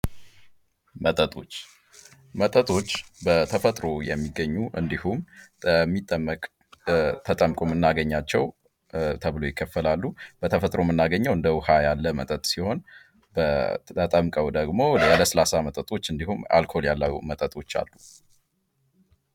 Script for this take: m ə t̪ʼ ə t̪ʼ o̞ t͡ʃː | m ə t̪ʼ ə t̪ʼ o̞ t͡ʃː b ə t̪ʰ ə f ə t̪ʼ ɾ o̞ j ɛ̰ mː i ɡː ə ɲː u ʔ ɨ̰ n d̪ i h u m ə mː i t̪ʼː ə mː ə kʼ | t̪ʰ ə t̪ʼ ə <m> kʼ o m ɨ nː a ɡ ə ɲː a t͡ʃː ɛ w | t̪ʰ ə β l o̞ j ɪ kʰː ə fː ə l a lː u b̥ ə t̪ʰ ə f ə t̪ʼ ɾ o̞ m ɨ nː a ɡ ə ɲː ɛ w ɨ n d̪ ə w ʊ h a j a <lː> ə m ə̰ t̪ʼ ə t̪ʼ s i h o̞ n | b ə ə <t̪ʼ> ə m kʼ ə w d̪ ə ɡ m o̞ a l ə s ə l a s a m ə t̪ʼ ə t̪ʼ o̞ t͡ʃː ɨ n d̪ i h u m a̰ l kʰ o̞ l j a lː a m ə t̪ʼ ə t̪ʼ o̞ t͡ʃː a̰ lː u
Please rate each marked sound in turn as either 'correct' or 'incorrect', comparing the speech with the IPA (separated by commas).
correct, correct, correct